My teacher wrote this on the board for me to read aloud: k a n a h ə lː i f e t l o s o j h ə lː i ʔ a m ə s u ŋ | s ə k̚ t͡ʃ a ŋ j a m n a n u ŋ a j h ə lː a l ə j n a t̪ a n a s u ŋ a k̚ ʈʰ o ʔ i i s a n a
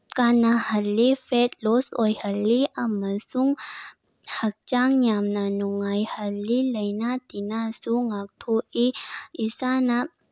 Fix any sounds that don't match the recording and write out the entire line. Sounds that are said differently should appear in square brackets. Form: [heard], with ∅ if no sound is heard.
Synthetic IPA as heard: k a n a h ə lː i f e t l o s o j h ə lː i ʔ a m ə s u ŋ | [h] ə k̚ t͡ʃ a ŋ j a m n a n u ŋ a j h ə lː [i] l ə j n a t̪ [i] n a s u ŋ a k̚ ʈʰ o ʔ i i s a n a